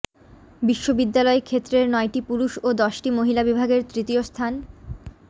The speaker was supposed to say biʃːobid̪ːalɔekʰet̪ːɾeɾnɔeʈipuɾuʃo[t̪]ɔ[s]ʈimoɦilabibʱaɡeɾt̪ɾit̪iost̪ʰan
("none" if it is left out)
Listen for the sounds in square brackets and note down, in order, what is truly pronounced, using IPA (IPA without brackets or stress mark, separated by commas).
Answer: d̪, ʃ